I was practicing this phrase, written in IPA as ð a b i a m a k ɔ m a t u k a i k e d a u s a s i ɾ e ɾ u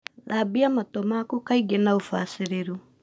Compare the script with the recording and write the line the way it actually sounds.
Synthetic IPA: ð a b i a m a t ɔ m a k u k a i ɡ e n a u f a s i ɾ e ɾ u